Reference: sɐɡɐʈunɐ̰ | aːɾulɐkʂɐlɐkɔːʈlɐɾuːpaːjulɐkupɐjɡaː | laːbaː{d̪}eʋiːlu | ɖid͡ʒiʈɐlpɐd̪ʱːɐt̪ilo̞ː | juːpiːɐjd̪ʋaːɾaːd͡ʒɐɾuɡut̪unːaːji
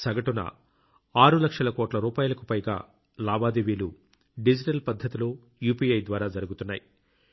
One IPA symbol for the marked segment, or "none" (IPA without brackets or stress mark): d̪